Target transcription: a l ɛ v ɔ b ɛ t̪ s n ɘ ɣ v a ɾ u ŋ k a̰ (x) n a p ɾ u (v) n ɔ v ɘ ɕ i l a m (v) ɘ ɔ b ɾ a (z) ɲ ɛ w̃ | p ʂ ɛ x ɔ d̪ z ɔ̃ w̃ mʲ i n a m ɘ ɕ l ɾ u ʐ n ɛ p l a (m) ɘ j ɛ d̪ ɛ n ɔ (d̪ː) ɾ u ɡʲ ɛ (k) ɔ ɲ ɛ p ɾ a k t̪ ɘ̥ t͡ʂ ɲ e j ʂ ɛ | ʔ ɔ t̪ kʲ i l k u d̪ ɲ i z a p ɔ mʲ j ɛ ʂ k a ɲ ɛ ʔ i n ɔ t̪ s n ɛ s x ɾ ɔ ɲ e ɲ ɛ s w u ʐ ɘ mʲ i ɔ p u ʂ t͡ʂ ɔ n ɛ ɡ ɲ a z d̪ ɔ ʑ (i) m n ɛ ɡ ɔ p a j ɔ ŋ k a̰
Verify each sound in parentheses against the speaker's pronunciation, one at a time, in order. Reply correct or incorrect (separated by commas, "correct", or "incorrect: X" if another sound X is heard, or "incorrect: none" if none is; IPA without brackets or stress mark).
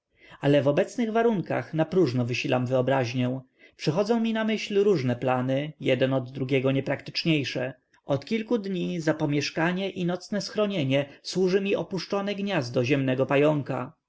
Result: correct, incorrect: ʐ, correct, incorrect: ʑ, incorrect: n, correct, incorrect: ɡ, incorrect: ɛ